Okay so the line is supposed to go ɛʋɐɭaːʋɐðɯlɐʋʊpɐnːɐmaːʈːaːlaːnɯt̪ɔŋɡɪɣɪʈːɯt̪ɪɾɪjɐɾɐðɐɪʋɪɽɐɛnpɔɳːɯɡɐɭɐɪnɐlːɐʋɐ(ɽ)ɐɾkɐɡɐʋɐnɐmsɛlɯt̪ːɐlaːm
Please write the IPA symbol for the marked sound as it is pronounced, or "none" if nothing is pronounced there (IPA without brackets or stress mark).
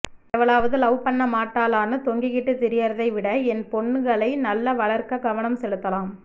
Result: ɭ